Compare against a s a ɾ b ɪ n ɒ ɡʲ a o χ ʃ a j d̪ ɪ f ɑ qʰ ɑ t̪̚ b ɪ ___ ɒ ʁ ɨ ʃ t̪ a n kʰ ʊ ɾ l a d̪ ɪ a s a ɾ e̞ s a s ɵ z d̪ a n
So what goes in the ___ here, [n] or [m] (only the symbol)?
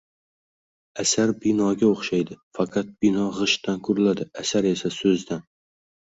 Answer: n